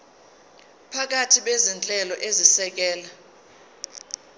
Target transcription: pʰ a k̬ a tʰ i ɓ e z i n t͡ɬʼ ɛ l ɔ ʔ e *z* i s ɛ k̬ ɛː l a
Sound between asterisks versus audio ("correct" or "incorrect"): correct